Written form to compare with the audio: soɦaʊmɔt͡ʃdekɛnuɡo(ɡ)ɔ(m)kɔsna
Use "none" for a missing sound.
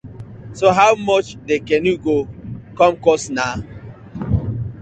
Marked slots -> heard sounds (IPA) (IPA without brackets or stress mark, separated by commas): k, m